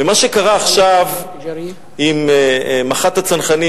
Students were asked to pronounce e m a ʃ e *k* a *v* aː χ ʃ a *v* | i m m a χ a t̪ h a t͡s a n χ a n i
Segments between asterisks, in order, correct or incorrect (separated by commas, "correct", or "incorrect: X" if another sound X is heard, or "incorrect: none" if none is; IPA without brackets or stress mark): correct, incorrect: ʁ, correct